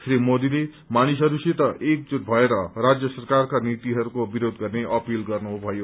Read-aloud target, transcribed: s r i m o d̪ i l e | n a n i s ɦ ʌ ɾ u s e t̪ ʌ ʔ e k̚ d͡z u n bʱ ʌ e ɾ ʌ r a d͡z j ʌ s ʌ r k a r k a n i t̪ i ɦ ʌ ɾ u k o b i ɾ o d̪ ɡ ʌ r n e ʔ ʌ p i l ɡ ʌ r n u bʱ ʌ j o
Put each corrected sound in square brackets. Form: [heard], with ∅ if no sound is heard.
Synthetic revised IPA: s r i m o d̪ i l e | [m] a n i s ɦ ʌ ɾ u s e t̪ ʌ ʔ e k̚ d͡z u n bʱ ʌ e ɾ ʌ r a d͡z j ʌ s ʌ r k a r k a n i t̪ i ɦ ʌ ɾ u k o b i ɾ o d̪ ɡ ʌ r n e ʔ ʌ p i l ɡ ʌ r n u bʱ ʌ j o